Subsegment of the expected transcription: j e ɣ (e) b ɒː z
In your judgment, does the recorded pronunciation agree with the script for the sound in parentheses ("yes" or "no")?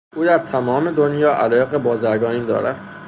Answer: yes